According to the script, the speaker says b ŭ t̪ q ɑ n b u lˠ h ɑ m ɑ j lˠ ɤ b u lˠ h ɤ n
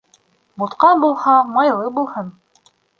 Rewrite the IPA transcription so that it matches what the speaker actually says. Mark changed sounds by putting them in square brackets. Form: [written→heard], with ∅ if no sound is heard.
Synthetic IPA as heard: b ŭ t̪ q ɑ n b u lˠ h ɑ m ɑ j lˠ ɤ b u lˠ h ɤ n